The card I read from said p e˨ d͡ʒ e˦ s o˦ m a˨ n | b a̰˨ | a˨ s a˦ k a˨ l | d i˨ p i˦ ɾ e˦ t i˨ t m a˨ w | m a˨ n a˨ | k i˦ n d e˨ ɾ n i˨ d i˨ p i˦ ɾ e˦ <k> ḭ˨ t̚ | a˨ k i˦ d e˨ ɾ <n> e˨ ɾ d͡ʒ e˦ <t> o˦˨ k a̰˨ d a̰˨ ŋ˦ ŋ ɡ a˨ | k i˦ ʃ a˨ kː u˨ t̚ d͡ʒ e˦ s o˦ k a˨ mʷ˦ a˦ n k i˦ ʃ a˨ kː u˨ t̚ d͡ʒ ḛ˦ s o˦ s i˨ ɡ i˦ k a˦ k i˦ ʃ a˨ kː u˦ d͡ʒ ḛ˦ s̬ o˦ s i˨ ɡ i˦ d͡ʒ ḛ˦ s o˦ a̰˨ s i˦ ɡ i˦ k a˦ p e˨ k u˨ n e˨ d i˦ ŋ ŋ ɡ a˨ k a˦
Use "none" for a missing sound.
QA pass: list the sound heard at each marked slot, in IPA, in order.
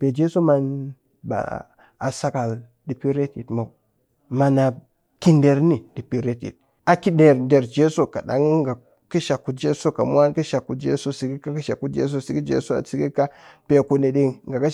t, d, s

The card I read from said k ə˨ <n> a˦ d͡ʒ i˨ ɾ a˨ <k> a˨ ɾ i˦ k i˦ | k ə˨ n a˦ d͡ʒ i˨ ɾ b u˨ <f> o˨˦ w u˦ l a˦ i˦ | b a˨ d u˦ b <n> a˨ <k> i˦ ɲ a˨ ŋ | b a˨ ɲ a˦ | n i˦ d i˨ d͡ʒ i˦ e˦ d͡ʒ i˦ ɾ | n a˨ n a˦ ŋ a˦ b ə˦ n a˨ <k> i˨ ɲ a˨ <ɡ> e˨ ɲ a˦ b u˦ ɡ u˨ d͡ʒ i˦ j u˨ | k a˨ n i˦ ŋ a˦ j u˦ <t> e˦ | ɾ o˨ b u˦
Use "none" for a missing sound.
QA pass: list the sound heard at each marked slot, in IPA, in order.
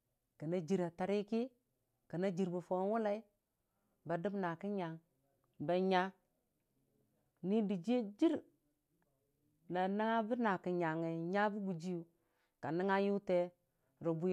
n, t, f, n, k, k, ŋ, t

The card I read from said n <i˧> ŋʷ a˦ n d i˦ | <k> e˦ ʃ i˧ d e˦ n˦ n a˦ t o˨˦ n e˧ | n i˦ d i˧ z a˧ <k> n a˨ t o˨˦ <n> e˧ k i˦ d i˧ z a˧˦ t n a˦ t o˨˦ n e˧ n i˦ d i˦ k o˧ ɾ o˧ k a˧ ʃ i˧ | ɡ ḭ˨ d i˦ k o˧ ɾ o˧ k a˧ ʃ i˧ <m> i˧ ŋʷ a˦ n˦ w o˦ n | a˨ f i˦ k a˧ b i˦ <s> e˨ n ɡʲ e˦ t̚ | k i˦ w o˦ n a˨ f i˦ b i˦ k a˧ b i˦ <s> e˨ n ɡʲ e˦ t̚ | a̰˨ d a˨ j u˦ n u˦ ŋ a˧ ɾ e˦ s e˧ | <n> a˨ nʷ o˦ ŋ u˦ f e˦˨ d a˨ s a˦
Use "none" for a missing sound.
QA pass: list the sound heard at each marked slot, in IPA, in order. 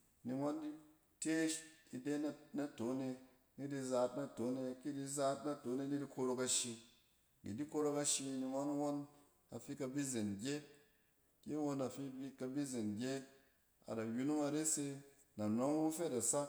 i˧, t, t, n, n, z, z, n

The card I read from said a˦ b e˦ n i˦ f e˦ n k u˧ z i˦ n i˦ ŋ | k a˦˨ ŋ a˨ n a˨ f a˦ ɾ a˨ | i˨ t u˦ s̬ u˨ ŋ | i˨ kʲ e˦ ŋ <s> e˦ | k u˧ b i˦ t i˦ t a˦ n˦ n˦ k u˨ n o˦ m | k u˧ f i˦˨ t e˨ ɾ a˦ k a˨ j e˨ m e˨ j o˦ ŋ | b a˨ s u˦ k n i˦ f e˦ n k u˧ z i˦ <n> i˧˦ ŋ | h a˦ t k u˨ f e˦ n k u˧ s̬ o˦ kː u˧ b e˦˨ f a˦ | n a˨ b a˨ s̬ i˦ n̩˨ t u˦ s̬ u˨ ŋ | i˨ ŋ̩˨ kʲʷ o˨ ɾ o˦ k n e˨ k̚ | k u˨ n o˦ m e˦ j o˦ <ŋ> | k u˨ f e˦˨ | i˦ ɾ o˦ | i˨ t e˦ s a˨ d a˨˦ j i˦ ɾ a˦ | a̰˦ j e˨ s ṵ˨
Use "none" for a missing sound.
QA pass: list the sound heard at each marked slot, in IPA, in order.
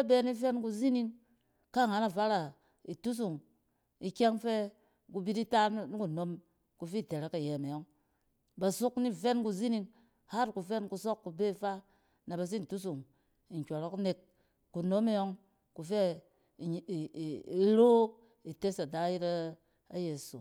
f, n, ŋ

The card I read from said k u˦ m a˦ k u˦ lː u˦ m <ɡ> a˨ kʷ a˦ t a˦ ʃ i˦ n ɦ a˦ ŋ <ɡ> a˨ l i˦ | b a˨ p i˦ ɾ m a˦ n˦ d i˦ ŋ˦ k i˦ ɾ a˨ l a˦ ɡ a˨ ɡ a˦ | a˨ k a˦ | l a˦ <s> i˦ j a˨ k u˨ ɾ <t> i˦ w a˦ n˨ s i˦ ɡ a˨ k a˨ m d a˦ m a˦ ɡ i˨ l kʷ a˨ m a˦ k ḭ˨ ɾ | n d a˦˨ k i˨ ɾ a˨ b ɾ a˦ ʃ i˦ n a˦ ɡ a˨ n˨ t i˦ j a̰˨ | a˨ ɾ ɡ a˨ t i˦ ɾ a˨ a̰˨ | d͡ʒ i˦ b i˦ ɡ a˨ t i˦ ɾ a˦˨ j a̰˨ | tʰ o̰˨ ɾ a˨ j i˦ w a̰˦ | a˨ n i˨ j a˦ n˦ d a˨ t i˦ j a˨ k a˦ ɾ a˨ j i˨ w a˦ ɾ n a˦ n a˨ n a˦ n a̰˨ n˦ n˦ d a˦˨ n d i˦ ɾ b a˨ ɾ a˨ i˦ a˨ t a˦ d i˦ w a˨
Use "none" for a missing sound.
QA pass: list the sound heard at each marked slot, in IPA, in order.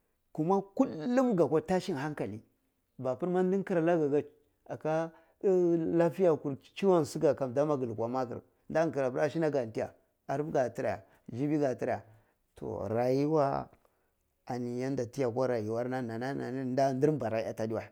ɡ, k, f, t͡ʃ

